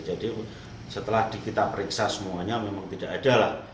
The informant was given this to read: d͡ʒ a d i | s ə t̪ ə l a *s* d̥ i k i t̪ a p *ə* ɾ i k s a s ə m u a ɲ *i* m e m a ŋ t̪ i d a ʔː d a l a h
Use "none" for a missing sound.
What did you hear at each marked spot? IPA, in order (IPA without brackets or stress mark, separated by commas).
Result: h, ə, a